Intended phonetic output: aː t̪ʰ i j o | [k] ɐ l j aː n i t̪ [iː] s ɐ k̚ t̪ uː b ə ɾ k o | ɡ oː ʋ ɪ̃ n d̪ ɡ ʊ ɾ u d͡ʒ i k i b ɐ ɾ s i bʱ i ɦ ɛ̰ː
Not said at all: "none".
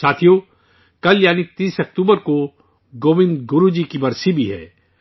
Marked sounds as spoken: k, iː

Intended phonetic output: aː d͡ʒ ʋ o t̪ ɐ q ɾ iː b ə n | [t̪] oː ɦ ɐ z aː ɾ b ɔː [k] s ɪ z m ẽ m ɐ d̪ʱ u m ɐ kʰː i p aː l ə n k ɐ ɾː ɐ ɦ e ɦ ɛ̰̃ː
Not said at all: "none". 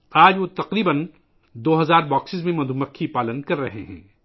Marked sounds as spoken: d̪, k

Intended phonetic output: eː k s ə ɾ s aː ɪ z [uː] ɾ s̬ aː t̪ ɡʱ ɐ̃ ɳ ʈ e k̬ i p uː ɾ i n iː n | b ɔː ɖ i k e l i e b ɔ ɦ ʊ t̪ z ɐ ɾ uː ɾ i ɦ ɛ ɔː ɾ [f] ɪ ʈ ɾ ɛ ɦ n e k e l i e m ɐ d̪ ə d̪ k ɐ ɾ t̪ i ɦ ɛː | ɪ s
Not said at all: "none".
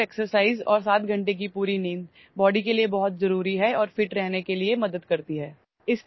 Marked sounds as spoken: ɔː, f

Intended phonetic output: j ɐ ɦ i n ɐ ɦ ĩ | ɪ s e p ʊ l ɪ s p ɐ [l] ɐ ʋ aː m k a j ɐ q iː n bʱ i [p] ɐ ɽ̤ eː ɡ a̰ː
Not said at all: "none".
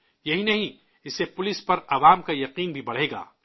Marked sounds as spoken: ɾ, b

